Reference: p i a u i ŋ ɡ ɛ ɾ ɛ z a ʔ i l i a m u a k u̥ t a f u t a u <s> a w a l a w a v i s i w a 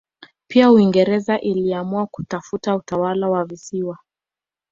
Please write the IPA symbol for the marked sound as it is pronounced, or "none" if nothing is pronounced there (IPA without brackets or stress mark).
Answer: t